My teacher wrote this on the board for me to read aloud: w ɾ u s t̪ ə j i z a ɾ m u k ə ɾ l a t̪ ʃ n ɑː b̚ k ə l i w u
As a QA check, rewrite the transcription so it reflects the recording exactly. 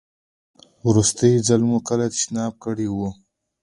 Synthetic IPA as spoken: w ɾ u s t̪ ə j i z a l m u k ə l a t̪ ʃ n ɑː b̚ k ə ɽ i w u